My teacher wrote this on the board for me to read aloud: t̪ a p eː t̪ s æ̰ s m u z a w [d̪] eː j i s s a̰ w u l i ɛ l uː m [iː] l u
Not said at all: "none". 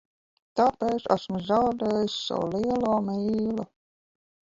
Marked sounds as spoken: d̪, iː

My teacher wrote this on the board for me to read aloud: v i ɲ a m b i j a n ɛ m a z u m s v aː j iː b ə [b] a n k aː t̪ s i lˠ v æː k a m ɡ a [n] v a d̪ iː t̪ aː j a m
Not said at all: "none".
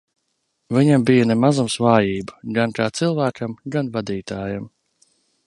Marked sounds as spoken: ɡ, n

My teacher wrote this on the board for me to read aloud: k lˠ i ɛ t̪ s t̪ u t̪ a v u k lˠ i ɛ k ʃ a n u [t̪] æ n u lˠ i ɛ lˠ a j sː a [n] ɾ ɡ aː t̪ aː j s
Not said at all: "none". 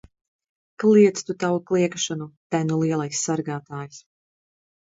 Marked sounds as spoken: t̪, none

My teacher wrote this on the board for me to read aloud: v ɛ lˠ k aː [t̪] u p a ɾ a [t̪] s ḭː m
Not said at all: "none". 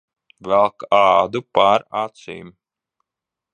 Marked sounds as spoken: d̪, t̪

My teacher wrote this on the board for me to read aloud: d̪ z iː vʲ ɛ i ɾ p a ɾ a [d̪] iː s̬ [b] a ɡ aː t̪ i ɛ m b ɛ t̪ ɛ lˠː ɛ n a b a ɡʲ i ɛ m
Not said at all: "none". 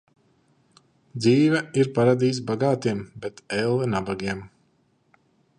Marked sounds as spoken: d̪, b

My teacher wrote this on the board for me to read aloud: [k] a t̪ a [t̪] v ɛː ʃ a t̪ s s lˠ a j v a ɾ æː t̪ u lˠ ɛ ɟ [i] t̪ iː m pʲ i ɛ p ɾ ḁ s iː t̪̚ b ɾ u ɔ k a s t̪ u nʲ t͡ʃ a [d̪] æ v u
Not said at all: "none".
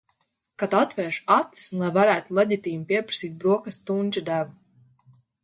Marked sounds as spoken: k, t̪, i, d̪

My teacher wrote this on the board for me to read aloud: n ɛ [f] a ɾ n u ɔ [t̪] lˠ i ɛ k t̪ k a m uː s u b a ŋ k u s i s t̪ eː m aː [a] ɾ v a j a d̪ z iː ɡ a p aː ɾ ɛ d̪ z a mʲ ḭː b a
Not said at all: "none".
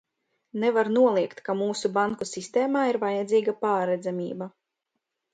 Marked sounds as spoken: v, none, i

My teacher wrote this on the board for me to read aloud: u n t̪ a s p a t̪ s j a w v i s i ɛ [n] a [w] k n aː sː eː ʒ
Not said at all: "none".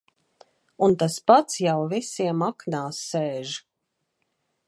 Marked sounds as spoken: m, none

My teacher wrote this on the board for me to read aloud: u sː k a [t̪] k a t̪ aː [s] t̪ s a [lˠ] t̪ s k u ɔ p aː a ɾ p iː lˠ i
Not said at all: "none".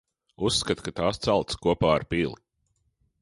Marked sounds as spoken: t̪, s, lˠ

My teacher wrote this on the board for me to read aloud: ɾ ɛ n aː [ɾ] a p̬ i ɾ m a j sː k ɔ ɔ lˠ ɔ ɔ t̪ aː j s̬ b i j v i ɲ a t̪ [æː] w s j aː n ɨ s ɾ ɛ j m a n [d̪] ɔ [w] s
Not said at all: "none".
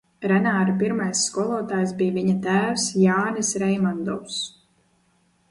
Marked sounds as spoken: ɾ, æː, d̪, w

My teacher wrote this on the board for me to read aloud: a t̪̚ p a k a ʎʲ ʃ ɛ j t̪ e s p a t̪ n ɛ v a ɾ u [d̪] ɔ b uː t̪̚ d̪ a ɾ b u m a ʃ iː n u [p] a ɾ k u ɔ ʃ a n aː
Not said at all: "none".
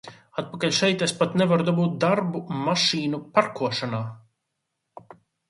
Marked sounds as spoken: d̪, p

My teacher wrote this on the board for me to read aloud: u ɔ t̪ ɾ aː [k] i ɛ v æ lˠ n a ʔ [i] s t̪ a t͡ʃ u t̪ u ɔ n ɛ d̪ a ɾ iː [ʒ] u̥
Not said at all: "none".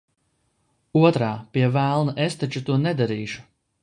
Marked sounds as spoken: p, e, ʃ

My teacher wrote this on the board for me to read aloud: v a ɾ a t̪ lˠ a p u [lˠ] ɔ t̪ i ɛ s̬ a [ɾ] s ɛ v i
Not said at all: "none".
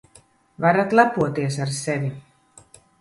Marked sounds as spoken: none, ɾ

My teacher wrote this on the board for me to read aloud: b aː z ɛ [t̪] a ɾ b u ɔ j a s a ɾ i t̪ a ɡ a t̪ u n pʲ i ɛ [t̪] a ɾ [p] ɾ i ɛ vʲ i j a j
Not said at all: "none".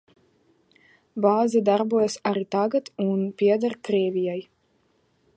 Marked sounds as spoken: d̪, d̪, k

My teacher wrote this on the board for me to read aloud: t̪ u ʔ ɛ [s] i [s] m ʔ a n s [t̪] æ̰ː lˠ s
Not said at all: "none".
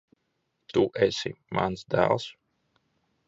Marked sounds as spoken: s, none, d̪

